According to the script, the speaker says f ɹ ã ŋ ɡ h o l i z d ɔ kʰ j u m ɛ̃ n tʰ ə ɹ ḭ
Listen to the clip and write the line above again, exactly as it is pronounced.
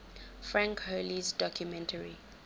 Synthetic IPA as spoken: f ɹ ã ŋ k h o l i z d ɔ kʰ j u m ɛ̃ n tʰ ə ɹ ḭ